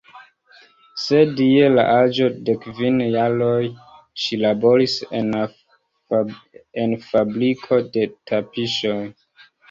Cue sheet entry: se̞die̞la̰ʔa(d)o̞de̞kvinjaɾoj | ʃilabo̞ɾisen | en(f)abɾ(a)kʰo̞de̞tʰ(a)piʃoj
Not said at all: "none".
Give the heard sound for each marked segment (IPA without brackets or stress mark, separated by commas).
d͡ʒ, f, i, a